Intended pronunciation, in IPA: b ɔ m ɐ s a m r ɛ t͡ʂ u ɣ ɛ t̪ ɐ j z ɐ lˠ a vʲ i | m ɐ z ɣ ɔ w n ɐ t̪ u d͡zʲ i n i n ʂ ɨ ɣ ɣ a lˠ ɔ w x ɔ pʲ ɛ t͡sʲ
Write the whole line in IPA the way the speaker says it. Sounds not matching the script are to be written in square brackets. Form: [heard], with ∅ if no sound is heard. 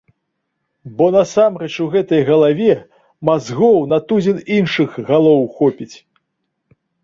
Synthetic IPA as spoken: b ɔ [n] ɐ s a m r ɛ t͡ʂ u ɣ ɛ t̪ ɐ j [ɣ] ɐ lˠ a vʲ [ɛ] | m [a] z ɣ ɔ w n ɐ t̪ u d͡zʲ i n i n ʂ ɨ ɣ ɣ a lˠ ɔ w x ɔ pʲ [i] t͡sʲ

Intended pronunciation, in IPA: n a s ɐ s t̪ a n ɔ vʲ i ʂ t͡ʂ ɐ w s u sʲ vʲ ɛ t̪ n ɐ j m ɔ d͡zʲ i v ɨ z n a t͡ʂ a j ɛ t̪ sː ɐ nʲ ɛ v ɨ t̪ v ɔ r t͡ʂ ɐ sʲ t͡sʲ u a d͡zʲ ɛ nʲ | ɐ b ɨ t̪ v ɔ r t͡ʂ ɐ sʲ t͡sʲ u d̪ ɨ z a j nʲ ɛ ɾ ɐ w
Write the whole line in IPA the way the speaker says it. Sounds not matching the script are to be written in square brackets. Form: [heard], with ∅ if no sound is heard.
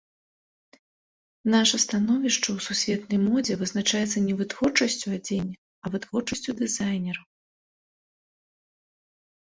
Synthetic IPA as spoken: n a [ʂ] ɐ s t̪ a n ɔ vʲ i ʂ t͡ʂ ɐ w s u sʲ vʲ ɛ t̪ n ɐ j m ɔ d͡zʲ [ɛ] v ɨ z n a t͡ʂ a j ɛ t̪ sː ɐ nʲ ɛ v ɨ t̪ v ɔ r t͡ʂ ɐ sʲ t͡sʲ u a d͡zʲ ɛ nʲ | ɐ [v] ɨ t̪ v ɔ r t͡ʂ ɐ sʲ t͡sʲ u d̪ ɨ z a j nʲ ɛ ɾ ɐ w

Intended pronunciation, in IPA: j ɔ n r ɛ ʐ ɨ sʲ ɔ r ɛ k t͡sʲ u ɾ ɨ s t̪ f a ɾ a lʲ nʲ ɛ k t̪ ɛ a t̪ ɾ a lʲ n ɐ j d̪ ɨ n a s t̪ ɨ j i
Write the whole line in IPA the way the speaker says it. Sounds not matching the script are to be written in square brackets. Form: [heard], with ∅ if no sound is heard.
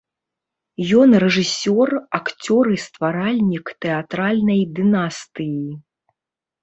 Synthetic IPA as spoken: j ɔ n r ɛ ʐ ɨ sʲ ɔ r [a] k t͡sʲ [ɔ] ɾ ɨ s t̪ [v] a ɾ a lʲ nʲ [i] k t̪ ɛ a t̪ ɾ a lʲ n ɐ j d̪ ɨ n a s t̪ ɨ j i

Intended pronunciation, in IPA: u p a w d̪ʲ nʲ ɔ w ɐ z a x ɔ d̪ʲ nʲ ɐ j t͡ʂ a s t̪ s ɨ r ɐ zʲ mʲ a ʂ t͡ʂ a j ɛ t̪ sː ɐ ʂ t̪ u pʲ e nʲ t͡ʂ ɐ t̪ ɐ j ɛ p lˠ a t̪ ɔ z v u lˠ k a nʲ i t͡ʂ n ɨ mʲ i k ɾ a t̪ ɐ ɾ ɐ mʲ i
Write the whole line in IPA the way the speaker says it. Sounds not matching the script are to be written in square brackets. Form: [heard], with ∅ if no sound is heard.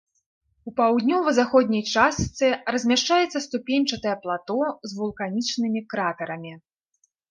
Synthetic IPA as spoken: u p a w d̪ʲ nʲ ɔ [v] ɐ z a x ɔ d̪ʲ nʲ ɐ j t͡ʂ a s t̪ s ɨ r ɐ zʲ mʲ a ʂ t͡ʂ a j ɛ t̪ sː ɐ [s] t̪ u pʲ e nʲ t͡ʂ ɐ t̪ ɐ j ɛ p lˠ a t̪ ɔ z v u lˠ k a nʲ i t͡ʂ n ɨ mʲ i k ɾ a t̪ ɐ ɾ ɐ mʲ i

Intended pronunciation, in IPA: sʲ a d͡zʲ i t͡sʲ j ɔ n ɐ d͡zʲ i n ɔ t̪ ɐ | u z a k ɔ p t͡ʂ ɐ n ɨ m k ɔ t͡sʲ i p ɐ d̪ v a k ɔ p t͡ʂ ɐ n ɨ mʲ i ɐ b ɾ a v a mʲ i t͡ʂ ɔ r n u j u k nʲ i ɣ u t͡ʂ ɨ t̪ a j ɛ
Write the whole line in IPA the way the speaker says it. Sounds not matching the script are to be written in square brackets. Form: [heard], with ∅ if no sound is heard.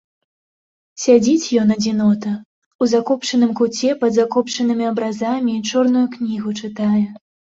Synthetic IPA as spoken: sʲ a d͡zʲ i t͡sʲ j ɔ n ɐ d͡zʲ i n ɔ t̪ ɐ | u z a k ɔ p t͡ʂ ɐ n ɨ m k [u] t͡sʲ [ɛ] p ɐ d̪ [z] a k ɔ p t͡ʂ ɐ n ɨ mʲ i ɐ b ɾ a [z] a mʲ i t͡ʂ ɔ r n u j u k nʲ i ɣ u t͡ʂ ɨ t̪ a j ɛ

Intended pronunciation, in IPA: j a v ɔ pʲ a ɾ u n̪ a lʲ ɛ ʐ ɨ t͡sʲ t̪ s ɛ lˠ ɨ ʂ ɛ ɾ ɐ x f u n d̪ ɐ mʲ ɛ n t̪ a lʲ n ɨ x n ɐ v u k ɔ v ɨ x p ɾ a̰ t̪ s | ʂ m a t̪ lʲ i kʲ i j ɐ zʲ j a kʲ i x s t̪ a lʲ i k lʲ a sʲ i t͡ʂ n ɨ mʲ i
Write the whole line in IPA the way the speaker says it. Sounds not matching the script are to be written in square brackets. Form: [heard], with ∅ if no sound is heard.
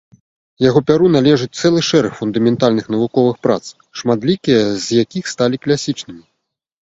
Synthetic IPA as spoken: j a [ɣ] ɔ pʲ a ɾ u n̪ a lʲ ɛ ʐ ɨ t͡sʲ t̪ s ɛ lˠ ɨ ʂ ɛ ɾ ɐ x f u n d̪ ɐ mʲ ɛ n t̪ a lʲ n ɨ x n ɐ v u k ɔ v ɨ x p ɾ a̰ t̪ s | ʂ m a t̪ lʲ i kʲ i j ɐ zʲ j a kʲ i x s t̪ a lʲ i k lʲ a sʲ i t͡ʂ n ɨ mʲ i

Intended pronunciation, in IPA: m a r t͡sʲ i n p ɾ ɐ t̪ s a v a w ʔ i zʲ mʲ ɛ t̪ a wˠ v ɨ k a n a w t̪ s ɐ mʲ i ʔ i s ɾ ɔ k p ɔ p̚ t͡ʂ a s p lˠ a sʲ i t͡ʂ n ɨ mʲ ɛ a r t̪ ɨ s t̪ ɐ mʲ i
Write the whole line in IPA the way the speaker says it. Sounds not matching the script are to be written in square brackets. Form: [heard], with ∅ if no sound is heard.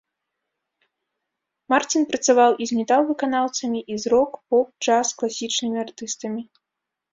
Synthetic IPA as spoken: m a r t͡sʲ i n p ɾ ɐ t̪ s a v a w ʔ i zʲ mʲ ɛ t̪ a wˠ v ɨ k a n a w t̪ s ɐ mʲ i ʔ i [z] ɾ ɔ k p ɔ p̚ t͡ʂ a s [k] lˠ a sʲ i t͡ʂ n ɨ mʲ [i] a r t̪ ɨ s t̪ ɐ mʲ i

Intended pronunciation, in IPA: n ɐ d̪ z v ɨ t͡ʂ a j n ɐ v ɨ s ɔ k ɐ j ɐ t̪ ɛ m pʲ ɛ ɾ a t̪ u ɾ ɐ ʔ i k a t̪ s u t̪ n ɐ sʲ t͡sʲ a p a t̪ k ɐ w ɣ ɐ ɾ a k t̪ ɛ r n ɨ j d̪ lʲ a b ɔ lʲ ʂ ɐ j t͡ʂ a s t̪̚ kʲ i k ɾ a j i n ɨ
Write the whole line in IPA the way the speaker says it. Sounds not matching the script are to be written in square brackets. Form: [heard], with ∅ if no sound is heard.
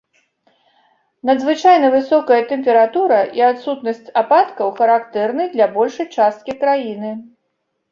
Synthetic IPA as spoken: n ɐ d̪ z v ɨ t͡ʂ a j n ɐ v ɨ s ɔ k ɐ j ɐ t̪ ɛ m pʲ ɛ ɾ a t̪ u ɾ ɐ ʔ i [∅] a t̪ s u t̪ n ɐ sʲ t͡sʲ a p a t̪ k ɐ w [x] ɐ ɾ a k t̪ ɛ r n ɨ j d̪ lʲ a b ɔ lʲ ʂ ɐ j t͡ʂ a s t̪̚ kʲ i k ɾ a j i n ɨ

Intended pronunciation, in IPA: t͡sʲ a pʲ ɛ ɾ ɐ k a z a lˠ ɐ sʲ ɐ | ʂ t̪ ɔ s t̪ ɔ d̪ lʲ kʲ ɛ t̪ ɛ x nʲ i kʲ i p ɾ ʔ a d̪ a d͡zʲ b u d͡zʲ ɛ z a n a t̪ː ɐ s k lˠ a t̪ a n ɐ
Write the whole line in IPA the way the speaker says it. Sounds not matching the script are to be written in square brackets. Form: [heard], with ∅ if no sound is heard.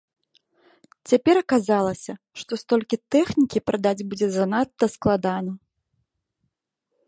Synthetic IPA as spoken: t͡sʲ a pʲ ɛ ɾ ɐ k a z a lˠ ɐ sʲ ɐ | ʂ t̪ ɔ s t̪ ɔ [∅] lʲ kʲ [i] t̪ ɛ x nʲ i kʲ i p ɾ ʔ a d̪ a d͡zʲ b u d͡zʲ ɛ z a n a t̪ː ɐ s k lˠ a [d̪] a n ɐ

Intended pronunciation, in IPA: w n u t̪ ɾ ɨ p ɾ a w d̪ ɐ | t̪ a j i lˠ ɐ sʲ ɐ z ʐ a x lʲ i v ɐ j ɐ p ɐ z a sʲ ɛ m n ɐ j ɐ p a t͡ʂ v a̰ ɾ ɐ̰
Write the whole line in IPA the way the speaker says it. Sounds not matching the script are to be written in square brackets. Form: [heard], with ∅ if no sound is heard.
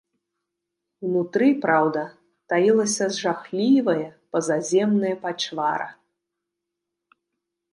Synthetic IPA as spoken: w n u t̪ ɾ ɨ p ɾ a w d̪ ɐ | t̪ a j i lˠ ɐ sʲ ɐ z ʐ a x lʲ i v ɐ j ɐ p ɐ z a [zʲ] ɛ m n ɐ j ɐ p a t͡ʂ v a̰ ɾ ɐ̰

